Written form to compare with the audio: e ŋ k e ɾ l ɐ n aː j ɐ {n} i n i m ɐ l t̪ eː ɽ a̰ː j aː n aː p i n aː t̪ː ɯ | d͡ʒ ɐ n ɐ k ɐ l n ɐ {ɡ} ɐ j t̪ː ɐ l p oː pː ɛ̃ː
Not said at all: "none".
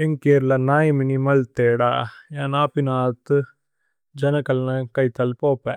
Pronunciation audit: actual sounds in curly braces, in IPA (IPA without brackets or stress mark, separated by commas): m, k